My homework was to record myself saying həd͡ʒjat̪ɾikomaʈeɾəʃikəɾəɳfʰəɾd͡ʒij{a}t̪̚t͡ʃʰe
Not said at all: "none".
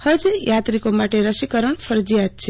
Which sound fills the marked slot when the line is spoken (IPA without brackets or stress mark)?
a